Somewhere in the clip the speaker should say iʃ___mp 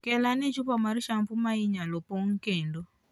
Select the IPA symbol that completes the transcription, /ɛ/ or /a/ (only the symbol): a